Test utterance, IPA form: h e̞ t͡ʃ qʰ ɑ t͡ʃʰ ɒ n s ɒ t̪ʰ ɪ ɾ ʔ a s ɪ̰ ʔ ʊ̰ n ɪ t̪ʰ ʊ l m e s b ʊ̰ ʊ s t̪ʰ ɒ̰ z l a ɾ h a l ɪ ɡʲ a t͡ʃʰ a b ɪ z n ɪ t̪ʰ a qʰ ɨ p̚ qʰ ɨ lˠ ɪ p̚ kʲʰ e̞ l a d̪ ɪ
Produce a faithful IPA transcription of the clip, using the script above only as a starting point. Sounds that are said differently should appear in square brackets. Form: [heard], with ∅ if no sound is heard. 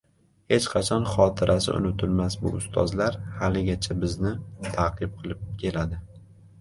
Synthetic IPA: h e̞ t͡ʃ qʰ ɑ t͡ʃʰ ɒ n [χ] ɒ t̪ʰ ɪ ɾ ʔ a s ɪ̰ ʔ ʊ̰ n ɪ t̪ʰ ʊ l m [a] s b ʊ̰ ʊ s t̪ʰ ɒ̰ z l a ɾ h a l ɪ ɡʲ a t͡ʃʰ a b ɪ z n ɪ t̪ʰ a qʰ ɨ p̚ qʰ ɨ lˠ ɪ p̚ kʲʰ e̞ l a d̪ ɪ